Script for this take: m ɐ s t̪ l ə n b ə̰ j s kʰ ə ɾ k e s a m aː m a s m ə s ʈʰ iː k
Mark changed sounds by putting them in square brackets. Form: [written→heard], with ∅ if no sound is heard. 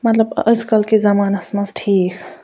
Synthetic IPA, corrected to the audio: m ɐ [s→∅] t̪ l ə [n→∅] b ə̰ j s [kʰ→k] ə [ɾ→l] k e [s→z] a m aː [m→n] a s m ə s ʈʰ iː k